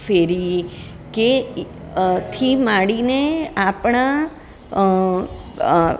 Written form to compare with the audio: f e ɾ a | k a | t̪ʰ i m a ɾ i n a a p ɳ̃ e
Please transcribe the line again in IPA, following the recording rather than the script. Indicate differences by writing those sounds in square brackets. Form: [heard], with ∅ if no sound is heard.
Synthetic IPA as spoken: f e ɾ [i] | k [e] | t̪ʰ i m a [ɽ] i n [e] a p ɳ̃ [a]